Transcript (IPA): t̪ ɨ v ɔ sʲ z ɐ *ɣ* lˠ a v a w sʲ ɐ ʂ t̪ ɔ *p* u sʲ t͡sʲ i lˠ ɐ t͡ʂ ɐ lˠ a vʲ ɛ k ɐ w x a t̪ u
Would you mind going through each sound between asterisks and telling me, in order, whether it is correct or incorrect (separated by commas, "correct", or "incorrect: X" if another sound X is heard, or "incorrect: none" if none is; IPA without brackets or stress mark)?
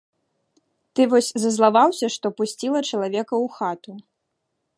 incorrect: z, correct